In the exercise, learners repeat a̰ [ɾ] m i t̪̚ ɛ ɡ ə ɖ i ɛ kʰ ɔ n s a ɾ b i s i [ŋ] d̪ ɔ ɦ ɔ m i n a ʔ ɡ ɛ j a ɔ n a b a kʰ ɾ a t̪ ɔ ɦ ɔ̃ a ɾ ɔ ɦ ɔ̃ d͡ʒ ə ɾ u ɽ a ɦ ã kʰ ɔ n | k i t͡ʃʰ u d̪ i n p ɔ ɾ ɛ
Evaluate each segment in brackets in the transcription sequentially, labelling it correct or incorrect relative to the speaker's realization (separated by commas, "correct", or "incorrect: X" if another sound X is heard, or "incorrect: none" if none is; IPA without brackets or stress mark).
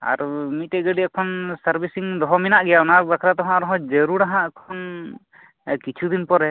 correct, correct